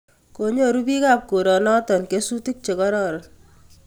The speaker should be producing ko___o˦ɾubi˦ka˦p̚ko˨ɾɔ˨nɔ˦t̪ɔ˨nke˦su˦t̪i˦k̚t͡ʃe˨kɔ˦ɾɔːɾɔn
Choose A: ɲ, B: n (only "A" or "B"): A